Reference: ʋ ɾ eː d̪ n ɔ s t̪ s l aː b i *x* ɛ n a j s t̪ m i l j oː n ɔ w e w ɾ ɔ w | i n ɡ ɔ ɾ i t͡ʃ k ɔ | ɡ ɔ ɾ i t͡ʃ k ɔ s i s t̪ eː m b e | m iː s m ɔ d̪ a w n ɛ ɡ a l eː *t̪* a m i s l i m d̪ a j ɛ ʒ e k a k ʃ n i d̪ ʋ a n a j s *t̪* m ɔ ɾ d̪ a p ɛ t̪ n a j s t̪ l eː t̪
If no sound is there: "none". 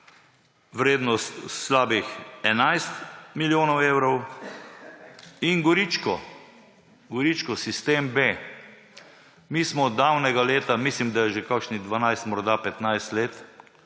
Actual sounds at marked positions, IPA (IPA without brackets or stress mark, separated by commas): x, t̪, t̪